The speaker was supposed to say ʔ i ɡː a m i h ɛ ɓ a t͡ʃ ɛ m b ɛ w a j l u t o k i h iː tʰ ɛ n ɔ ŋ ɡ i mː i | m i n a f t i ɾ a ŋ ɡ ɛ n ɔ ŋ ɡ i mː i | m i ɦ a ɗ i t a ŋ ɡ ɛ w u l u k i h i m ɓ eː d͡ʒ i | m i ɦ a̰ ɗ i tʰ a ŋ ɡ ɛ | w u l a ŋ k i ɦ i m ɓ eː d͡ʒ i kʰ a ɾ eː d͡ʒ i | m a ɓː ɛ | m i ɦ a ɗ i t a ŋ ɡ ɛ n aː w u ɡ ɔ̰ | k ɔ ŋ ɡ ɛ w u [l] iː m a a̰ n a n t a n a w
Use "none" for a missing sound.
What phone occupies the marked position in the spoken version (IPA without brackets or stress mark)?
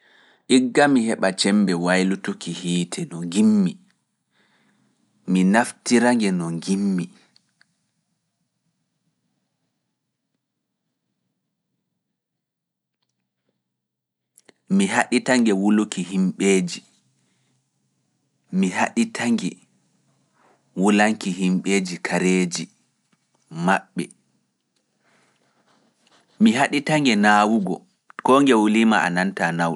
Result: l